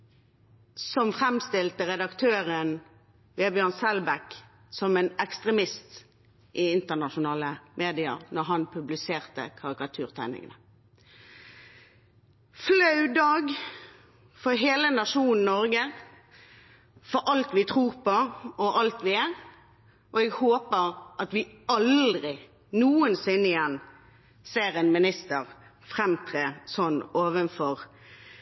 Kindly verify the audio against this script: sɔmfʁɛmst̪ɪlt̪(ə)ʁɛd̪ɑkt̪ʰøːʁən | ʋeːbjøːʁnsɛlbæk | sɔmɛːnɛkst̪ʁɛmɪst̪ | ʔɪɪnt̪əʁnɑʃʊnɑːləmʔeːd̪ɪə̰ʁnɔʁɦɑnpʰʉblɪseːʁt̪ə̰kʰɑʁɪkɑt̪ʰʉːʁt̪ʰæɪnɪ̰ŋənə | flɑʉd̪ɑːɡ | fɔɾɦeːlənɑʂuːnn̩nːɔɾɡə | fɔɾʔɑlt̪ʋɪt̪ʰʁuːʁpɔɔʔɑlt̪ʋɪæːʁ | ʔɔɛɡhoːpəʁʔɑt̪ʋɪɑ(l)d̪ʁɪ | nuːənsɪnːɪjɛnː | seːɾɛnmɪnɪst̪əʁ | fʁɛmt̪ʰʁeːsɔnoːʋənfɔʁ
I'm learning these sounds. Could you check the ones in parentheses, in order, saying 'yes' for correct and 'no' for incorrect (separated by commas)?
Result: yes, yes